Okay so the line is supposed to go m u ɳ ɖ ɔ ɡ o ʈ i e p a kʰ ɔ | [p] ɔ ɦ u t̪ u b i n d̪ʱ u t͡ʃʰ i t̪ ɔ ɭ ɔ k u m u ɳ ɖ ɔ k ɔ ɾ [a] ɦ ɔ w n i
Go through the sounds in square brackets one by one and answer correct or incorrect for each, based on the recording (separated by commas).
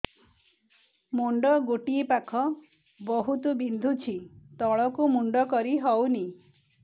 incorrect, incorrect